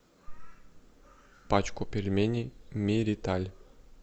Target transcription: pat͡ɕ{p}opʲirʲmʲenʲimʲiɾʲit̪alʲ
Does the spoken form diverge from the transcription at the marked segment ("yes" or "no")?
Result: yes